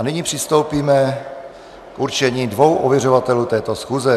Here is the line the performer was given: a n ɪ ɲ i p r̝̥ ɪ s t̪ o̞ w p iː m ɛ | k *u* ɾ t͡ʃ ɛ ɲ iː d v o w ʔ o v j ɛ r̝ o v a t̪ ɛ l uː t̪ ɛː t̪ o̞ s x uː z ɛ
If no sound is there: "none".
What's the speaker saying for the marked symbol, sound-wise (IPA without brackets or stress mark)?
u